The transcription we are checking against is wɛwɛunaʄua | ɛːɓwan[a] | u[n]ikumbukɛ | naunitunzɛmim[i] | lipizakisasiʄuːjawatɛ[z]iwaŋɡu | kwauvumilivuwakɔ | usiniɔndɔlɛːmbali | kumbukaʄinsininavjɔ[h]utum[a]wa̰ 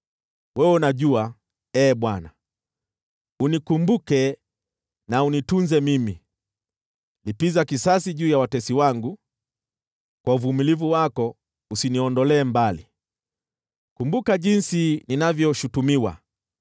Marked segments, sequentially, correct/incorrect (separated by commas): correct, correct, correct, incorrect, incorrect, incorrect